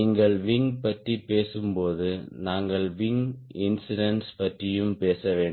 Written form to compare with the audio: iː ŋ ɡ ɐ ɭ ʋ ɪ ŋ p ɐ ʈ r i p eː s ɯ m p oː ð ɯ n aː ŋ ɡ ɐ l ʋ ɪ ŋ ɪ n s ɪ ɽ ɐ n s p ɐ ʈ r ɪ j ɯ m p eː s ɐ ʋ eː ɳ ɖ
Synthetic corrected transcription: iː ŋ ɡ ɐ ɭ ʋ ɪ ŋ p ɐ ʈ r i p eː s ɯ m p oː ð ɯ n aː ŋ ɡ ɐ ɭ ʋ ɪ ŋ ɪ n s ɪ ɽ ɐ n s p ɐ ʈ r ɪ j ɯ m p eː s ɐ ʋ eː ɳ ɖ